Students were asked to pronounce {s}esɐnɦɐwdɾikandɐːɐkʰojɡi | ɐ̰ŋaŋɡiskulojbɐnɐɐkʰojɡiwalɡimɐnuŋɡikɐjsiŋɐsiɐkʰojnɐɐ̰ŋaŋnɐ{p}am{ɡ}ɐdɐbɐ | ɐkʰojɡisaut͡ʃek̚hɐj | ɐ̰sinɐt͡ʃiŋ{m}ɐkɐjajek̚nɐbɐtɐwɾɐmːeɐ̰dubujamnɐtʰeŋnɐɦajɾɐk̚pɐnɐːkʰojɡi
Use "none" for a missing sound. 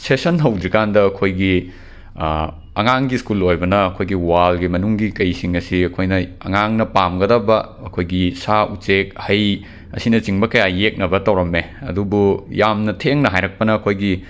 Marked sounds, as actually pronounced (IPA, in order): s, p, ɡ, b

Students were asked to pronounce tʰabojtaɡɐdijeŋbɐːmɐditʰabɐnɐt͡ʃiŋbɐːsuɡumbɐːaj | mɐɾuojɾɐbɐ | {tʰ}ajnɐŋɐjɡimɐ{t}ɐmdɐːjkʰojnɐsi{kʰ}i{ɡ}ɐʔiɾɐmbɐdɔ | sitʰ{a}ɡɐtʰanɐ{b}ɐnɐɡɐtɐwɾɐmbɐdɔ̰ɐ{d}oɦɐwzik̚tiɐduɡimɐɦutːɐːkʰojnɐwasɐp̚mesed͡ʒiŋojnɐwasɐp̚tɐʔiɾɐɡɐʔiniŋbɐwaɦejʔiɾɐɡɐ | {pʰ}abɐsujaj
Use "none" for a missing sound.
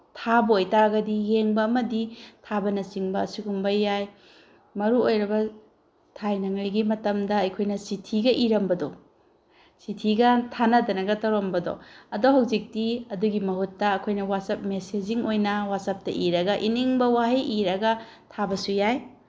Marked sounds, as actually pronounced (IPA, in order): tʰ, t, tʰ, ɡ, i, d, d, tʰ

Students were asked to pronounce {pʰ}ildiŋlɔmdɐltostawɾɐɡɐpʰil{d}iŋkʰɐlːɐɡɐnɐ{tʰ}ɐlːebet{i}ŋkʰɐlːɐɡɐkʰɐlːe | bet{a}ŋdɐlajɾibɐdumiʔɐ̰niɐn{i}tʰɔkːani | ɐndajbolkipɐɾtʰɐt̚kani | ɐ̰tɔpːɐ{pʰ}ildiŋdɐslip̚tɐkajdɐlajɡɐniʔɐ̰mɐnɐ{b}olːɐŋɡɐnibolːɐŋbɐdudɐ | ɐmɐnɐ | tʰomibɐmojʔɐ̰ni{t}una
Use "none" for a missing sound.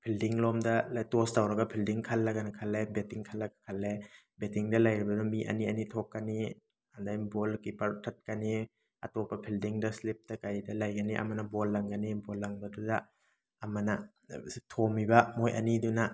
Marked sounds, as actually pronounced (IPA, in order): pʰ, d, kʰ, i, i, i, pʰ, b, d

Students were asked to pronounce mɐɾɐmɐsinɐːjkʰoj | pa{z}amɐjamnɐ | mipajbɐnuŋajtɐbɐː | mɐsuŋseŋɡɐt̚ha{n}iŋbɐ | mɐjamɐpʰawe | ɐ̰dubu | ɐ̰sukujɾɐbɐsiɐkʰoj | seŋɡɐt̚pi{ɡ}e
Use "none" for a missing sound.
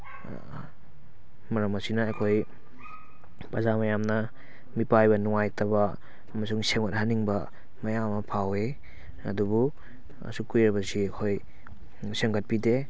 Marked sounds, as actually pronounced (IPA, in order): z, n, d

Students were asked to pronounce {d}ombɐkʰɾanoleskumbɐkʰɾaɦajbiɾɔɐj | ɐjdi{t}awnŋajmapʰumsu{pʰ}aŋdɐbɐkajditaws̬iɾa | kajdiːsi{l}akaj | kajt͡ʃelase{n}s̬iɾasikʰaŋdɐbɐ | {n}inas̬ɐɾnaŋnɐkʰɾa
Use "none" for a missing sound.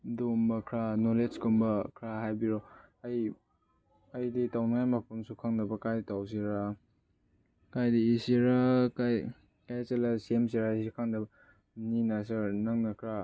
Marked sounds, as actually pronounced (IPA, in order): d, t, kʰ, ɾ, m, n

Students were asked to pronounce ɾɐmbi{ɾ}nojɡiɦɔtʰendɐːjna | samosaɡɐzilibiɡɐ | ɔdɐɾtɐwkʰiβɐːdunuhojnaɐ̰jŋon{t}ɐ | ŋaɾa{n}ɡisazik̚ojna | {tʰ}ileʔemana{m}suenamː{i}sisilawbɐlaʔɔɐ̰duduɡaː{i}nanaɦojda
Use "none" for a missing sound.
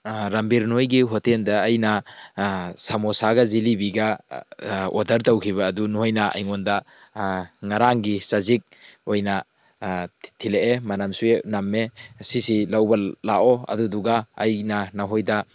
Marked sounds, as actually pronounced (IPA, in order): ɾ, d, ŋ, tʰ, m, e, j

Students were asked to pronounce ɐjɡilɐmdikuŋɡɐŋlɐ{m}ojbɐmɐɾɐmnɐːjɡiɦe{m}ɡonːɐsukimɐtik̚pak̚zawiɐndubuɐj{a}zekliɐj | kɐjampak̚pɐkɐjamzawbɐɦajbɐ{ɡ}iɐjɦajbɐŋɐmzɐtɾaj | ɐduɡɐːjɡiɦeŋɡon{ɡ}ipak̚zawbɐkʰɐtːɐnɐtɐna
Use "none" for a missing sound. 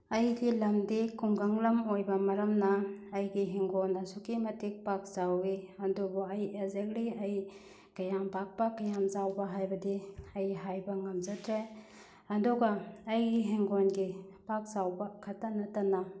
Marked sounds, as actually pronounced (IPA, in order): m, ŋ, e, d, ɡ

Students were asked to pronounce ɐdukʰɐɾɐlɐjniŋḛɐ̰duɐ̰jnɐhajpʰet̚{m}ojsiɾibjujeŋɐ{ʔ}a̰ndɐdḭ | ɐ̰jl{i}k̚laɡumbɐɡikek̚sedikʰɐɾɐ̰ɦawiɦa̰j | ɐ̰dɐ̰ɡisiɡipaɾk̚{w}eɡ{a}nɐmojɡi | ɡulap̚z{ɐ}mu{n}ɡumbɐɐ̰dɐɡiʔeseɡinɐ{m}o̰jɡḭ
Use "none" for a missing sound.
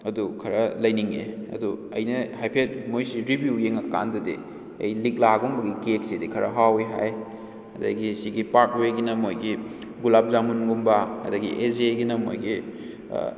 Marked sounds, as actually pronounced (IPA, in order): m, k, i, w, i, a, n, m

